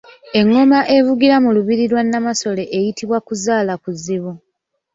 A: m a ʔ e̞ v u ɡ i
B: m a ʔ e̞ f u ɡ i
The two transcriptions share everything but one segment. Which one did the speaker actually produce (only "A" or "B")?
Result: A